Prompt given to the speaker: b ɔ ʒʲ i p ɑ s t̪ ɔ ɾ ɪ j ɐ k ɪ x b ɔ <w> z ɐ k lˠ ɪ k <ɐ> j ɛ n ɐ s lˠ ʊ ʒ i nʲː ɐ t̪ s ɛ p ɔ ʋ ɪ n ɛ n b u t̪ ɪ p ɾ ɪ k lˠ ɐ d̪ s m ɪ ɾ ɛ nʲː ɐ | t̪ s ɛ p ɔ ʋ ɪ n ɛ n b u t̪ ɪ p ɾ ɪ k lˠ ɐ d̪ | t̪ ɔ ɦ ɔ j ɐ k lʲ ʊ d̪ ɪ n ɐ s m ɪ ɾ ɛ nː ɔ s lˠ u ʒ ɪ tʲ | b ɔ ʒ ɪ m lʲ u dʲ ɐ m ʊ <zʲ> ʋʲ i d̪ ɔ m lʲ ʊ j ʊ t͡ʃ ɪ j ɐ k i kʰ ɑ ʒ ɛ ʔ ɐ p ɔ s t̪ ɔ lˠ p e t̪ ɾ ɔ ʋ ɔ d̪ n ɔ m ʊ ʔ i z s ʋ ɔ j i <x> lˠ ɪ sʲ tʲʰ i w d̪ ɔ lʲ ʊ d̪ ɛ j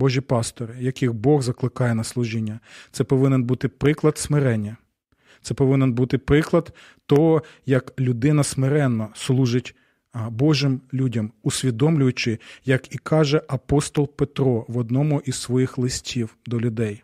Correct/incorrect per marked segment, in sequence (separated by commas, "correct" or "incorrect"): incorrect, incorrect, incorrect, correct